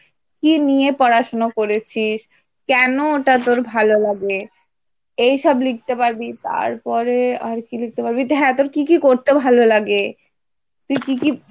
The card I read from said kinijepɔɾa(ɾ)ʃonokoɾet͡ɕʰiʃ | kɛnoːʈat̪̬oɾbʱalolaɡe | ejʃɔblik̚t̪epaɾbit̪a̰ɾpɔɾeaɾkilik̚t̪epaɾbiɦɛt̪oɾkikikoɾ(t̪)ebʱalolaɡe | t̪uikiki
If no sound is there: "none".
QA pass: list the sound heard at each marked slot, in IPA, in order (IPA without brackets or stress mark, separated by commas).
none, t̪